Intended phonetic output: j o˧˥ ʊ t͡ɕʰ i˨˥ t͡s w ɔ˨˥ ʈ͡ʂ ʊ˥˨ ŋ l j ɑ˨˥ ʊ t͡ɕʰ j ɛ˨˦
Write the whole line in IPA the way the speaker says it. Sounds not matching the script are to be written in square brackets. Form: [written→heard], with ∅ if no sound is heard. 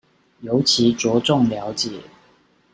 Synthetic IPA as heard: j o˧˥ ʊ t͡ɕʰ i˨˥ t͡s w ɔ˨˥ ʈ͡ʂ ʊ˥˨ ŋ l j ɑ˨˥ ʊ [t͡ɕʰ→t͡ɕ] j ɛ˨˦

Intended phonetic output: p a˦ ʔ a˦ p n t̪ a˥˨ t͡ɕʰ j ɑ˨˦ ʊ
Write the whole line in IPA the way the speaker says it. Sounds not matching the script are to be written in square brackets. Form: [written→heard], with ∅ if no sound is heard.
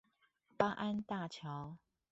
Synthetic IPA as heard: p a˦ ʔ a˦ [p→∅] n t̪ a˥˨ t͡ɕʰ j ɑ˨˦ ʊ

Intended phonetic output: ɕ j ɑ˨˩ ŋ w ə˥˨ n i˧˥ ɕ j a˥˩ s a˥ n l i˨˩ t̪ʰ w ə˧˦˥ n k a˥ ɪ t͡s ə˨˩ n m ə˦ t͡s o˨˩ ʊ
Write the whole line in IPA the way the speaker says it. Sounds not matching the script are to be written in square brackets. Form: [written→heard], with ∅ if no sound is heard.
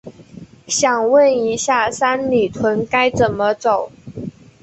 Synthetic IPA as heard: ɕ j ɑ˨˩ ŋ w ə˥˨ n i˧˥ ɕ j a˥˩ s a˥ n l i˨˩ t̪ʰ w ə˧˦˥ n k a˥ ɪ t͡s ə˨˩ n m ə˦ t͡s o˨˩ ʊ

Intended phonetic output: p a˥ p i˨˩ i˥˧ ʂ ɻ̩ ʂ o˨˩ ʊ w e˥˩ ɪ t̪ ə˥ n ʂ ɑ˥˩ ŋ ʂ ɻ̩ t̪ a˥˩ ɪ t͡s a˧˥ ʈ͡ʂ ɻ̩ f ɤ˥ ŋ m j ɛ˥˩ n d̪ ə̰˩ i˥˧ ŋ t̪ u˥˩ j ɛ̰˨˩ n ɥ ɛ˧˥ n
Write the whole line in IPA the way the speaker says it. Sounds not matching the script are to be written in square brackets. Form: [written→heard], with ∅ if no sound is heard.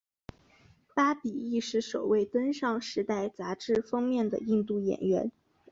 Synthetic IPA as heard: p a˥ p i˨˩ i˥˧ ʂ ɻ̩ ʂ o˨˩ ʊ w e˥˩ ɪ t̪ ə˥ n ʂ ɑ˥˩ ŋ ʂ ɻ̩ t̪ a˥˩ ɪ t͡s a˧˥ ʈ͡ʂ ɻ̩ f ɤ˥ ŋ m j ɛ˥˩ n d̪ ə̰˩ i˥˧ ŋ t̪ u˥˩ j ɛ̰˨˩ n ɥ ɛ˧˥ n

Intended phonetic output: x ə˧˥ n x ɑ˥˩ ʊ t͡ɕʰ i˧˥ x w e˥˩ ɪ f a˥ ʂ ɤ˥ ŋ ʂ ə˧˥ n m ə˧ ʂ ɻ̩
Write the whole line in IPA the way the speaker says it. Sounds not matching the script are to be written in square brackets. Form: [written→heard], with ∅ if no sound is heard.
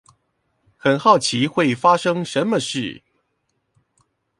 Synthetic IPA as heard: x [ə˧˥→ə˨˩] n x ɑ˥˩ ʊ t͡ɕʰ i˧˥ x w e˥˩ ɪ f a˥ ʂ ɤ˥ ŋ ʂ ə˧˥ n m ə˧ ʂ ɻ̩

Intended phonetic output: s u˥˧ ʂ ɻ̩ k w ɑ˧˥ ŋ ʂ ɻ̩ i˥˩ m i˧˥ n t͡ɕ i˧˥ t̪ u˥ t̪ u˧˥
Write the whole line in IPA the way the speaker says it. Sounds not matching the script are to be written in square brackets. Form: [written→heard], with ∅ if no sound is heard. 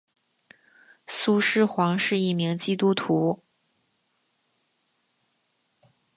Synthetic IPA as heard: s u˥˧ ʂ ɻ̩ [k→x] w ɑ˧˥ ŋ ʂ ɻ̩ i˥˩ m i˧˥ [n→ŋ] t͡ɕ [i˧˥→i˥] t̪ u˥ [t̪→t̪ʰ] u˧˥

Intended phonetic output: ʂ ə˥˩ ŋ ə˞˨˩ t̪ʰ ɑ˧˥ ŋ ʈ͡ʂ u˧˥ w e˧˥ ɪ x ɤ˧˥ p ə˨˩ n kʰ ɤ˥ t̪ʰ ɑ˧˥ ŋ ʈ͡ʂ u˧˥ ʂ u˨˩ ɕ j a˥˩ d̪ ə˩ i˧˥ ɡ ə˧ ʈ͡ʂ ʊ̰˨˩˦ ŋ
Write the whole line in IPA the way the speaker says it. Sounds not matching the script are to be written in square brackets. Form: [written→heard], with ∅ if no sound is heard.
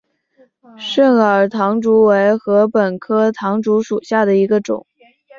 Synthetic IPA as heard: ʂ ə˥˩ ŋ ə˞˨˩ t̪ʰ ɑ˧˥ ŋ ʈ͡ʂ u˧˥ w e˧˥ ɪ x ɤ˧˥ p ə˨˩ n kʰ ɤ˥ t̪ʰ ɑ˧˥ ŋ ʈ͡ʂ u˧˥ ʂ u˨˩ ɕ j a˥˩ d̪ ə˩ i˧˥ ɡ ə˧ ʈ͡ʂ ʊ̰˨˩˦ ŋ

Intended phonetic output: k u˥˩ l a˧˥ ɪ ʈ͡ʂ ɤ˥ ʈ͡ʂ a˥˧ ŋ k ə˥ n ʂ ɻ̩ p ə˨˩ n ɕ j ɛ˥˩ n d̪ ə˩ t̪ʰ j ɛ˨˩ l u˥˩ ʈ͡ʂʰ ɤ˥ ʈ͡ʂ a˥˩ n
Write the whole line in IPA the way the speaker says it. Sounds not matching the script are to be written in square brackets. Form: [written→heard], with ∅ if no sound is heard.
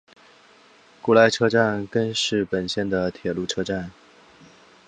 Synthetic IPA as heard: k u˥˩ l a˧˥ ɪ [ʈ͡ʂ→ʈ͡ʂʰ] ɤ˥ ʈ͡ʂ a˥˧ [ŋ→n] k ə˥ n ʂ ɻ̩ p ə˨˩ n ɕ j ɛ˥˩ n d̪ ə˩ t̪ʰ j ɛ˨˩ l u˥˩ ʈ͡ʂʰ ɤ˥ ʈ͡ʂ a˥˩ n

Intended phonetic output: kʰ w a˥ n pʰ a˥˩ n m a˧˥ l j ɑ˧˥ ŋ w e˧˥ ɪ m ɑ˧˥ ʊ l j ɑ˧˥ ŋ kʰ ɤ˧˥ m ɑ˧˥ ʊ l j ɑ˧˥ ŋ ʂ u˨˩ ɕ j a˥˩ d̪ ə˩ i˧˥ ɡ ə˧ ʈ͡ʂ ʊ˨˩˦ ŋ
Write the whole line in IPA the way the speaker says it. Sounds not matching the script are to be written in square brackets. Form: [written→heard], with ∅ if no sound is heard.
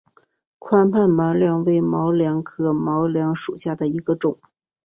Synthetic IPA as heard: kʰ w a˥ n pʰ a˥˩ n m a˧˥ l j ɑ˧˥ ŋ w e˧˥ ɪ m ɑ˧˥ ʊ l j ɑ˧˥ ŋ kʰ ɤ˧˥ m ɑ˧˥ ʊ l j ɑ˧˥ ŋ ʂ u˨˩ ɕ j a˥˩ d̪ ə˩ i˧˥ ɡ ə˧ ʈ͡ʂ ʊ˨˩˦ ŋ

